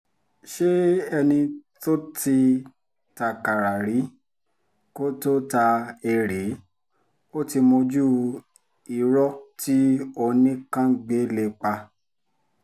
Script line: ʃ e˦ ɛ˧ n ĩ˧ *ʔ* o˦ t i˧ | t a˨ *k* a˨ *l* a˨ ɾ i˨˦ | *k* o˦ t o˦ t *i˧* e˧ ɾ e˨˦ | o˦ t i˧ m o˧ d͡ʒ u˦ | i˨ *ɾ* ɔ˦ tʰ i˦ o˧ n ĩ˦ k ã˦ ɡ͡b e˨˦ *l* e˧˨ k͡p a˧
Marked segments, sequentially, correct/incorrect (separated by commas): incorrect, correct, incorrect, correct, incorrect, correct, correct